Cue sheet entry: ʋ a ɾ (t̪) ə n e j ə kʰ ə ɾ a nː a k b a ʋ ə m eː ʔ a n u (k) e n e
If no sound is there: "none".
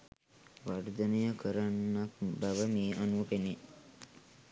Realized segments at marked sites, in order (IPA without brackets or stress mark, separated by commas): d̪, p